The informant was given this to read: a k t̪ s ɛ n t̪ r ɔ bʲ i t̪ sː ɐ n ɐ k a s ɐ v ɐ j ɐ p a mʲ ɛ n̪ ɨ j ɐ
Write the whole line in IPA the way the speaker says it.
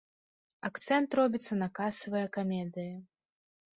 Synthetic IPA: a k t̪ s ɛ n t̪ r ɔ bʲ i t̪ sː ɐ n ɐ k a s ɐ v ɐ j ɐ k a mʲ ɛ d̪ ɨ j ɐ